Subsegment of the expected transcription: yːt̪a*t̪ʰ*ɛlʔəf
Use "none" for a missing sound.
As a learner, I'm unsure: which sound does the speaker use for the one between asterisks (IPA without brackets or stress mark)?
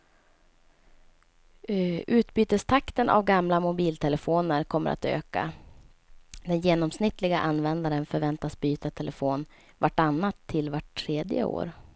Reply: t̪ʰ